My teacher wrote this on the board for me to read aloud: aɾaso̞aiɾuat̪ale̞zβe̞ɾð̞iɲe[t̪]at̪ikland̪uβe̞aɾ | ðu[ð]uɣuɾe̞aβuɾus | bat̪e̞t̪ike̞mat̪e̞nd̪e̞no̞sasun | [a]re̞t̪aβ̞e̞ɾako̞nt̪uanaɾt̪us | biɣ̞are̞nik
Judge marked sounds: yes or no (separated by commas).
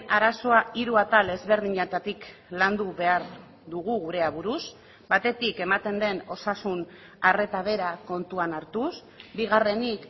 yes, no, yes